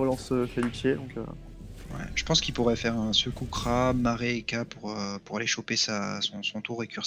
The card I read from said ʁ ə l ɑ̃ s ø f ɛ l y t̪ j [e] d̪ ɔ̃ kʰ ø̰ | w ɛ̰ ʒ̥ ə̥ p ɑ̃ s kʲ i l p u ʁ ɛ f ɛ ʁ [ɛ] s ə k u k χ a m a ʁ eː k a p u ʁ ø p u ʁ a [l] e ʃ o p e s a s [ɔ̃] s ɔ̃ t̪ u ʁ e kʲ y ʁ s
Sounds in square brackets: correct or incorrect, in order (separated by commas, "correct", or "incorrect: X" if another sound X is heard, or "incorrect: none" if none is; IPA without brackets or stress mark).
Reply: correct, incorrect: ɛ̃, correct, correct